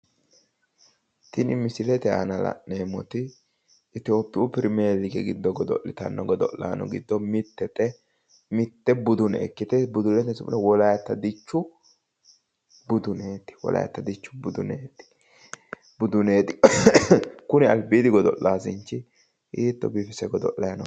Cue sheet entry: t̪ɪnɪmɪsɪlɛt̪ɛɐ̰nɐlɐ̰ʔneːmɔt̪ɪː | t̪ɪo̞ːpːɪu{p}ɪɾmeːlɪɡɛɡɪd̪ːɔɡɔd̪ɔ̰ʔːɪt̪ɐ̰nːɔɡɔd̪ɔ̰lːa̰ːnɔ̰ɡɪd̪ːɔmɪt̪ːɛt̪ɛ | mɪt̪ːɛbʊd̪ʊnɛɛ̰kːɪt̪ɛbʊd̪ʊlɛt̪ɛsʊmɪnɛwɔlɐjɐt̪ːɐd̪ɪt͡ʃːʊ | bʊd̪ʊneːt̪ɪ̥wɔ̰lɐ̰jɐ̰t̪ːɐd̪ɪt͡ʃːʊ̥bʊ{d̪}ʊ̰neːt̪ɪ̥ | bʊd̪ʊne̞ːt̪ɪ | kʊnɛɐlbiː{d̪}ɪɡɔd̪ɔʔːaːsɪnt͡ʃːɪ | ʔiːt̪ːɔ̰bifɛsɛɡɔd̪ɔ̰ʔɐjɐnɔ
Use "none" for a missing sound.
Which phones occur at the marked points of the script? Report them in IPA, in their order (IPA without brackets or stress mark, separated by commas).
p, d̪, d̪